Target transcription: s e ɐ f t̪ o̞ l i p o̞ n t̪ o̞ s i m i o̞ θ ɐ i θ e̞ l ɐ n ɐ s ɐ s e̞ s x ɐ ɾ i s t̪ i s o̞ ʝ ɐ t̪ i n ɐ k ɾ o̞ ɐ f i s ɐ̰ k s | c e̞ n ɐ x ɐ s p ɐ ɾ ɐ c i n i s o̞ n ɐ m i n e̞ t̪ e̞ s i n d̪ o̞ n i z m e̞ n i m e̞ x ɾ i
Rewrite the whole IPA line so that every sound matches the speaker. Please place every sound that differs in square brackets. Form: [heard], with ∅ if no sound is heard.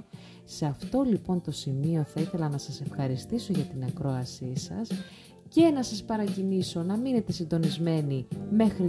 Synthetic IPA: s e ɐ f t̪ o̞ l i p o̞ n t̪ o̞ s i m i o̞ θ ɐ i θ e̞ l ɐ n ɐ s ɐ s e̞ [f] x ɐ ɾ i s t̪ i s o̞ ʝ ɐ t̪ i n ɐ k ɾ o̞ ɐ [s] i s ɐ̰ [∅] s | c e̞ n ɐ [s] ɐ s p ɐ ɾ ɐ c i n i s o̞ n ɐ m i n e̞ t̪ e̞ s i n d̪ o̞ n i z m e̞ n i m e̞ x ɾ i